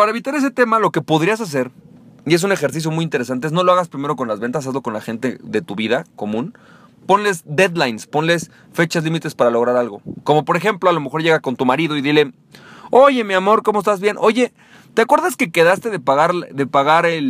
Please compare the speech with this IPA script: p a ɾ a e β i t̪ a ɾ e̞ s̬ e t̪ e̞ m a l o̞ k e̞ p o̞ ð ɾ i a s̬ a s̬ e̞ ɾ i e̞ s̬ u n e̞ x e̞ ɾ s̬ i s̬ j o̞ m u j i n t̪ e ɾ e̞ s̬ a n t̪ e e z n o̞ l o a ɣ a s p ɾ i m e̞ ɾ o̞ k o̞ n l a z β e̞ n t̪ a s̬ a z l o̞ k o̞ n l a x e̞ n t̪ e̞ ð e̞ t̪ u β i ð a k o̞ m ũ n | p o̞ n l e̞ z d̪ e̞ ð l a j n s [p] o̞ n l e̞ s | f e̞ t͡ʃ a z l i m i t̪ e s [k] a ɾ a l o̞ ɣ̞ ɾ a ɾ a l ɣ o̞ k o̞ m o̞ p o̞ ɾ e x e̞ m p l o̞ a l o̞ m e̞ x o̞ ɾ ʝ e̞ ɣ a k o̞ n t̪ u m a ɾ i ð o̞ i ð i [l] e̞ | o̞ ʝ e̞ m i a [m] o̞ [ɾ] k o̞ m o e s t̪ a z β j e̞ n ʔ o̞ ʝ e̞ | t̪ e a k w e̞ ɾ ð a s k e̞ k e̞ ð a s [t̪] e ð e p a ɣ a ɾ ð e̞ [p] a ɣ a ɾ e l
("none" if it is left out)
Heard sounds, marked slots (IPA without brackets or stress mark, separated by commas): p, p, l, m, ɾ, t̪, p